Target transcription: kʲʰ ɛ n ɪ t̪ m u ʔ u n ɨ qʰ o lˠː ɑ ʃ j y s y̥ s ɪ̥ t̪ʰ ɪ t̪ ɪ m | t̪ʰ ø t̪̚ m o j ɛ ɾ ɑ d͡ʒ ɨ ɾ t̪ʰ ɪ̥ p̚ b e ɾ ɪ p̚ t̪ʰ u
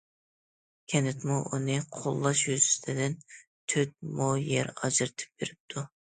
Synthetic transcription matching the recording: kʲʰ ɛ n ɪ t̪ m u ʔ u n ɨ qʰ o lˠː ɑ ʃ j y z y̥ s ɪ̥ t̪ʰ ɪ d̪ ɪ n | t̪ʰ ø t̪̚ m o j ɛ ɾ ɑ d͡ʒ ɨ ɾ t̪ʰ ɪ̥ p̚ b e ɾ ɪ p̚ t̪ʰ u